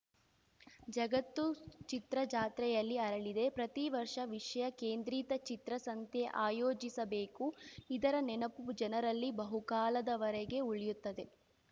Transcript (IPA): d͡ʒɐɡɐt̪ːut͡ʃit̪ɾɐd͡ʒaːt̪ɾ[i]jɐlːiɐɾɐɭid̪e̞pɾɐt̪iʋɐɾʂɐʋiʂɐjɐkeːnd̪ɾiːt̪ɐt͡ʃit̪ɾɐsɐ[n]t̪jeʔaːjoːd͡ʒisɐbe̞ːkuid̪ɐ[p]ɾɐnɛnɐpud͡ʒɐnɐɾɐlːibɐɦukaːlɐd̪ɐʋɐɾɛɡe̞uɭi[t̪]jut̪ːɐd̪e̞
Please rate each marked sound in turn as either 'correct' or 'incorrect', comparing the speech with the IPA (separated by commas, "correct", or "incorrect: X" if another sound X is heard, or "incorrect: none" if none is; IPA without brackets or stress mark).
incorrect: ɛ, correct, incorrect: none, incorrect: none